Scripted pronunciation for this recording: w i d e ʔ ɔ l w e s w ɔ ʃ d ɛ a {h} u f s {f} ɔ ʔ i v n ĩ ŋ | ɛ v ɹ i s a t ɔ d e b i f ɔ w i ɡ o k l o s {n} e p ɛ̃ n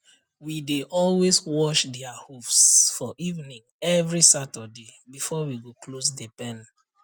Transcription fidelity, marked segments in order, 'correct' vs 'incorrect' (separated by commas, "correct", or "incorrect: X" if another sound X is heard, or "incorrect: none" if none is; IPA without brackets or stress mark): correct, correct, incorrect: d